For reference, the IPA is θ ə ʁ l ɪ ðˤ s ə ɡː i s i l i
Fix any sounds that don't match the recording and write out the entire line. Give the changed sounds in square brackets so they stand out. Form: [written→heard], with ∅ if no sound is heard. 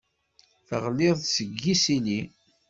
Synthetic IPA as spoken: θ ə ʁ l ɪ ðˤ s ə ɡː i s i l i